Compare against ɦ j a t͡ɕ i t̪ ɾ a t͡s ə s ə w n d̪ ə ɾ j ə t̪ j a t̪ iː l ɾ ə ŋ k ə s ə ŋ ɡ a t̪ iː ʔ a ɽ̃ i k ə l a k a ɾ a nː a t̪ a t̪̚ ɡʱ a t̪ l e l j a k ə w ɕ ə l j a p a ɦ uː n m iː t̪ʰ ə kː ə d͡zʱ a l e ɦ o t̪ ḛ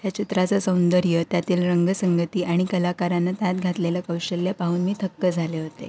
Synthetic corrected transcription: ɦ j a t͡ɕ i t̪ ɾ a t͡s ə s ə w n d̪ ə ɾ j ə t̪ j a t̪ iː l ɾ ə ŋ ɡ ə s ə ŋ ɡ ə t̪ iː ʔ a ɽ̃ i k ə l a k a ɾ a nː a t̪ a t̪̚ ɡʱ a t̪ l e l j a k ə w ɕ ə l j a p a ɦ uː n m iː t̪ʰ ə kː ə d͡zʱ a l e ɦ o t̪ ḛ